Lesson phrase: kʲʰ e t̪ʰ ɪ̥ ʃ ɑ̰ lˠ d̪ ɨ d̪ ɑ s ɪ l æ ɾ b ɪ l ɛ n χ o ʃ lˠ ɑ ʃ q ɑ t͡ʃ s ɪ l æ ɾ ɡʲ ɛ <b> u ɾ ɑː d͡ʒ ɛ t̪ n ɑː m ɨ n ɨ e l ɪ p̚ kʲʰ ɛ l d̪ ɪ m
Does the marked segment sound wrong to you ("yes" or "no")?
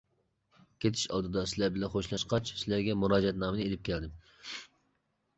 yes